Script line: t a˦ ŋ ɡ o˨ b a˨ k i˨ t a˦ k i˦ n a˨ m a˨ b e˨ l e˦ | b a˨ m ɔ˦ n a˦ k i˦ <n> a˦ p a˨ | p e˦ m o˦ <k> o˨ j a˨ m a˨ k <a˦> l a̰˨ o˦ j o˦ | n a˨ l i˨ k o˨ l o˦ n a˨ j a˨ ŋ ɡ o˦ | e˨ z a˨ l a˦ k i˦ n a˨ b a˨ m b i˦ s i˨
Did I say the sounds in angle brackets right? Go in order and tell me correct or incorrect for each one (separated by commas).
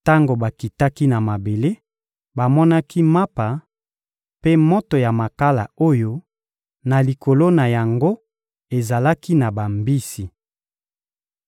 incorrect, incorrect, correct